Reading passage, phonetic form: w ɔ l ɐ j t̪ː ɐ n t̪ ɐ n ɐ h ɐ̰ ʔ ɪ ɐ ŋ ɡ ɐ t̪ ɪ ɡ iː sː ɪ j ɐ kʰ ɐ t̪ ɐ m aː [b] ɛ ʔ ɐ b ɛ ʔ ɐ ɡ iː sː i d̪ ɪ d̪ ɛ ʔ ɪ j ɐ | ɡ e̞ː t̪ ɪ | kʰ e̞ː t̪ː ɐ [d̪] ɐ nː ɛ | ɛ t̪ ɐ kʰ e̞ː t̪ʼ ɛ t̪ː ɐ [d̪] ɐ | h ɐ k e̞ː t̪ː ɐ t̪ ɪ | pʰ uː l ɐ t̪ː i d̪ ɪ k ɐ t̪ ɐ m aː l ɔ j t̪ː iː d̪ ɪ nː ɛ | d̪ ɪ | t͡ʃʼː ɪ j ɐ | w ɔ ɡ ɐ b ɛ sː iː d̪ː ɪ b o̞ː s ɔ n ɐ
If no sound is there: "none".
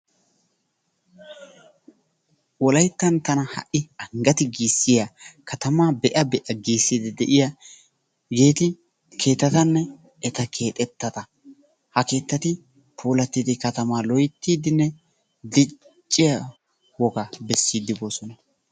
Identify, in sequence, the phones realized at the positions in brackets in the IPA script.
b, t̪, t̪

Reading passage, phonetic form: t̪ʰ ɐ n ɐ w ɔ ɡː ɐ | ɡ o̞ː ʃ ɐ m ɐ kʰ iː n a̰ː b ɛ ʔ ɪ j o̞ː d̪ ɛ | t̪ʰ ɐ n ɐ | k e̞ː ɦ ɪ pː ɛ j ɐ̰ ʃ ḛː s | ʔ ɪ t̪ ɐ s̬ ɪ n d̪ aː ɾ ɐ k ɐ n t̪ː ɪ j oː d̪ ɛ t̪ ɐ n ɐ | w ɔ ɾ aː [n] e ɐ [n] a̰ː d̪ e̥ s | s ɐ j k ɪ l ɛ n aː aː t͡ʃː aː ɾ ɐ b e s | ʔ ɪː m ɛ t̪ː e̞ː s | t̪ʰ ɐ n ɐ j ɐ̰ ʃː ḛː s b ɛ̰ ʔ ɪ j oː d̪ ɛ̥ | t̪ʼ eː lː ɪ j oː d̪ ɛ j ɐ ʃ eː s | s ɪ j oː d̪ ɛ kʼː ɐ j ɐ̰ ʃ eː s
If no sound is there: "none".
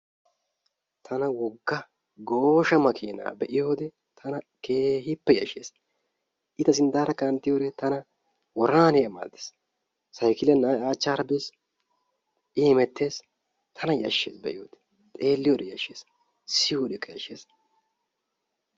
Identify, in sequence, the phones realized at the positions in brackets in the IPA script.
n, m

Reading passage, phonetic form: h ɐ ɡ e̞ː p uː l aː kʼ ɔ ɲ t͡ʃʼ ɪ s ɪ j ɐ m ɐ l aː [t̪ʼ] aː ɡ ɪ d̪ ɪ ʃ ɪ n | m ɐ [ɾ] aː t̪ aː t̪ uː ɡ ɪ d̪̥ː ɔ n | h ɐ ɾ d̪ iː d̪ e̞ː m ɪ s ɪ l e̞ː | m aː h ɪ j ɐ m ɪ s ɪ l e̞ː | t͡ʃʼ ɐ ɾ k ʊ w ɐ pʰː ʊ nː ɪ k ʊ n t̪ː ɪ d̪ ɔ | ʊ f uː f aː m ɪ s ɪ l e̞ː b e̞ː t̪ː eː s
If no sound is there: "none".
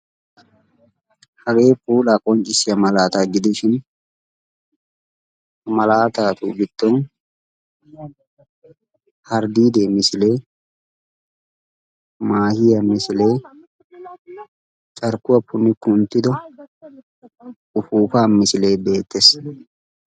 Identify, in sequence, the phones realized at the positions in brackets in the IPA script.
t̪, l

